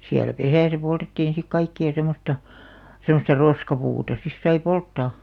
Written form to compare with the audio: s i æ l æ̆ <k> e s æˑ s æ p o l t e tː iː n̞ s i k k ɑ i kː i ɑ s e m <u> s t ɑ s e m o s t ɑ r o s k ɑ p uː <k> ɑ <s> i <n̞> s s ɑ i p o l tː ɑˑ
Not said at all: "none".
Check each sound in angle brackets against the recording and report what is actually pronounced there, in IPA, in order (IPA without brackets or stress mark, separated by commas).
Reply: p, o, t, s, none